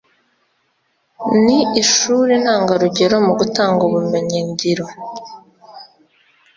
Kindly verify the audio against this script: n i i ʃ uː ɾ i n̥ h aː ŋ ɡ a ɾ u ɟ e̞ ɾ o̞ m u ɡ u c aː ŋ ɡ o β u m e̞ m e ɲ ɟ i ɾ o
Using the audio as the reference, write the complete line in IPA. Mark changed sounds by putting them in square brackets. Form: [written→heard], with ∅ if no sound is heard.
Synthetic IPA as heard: n i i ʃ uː ɾ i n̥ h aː ŋ ɡ a ɾ u ɟ e̞ ɾ o̞ m u ɡ u [c→t] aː ŋ ɡ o β u m e̞ [m→ɲ] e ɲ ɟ i ɾ o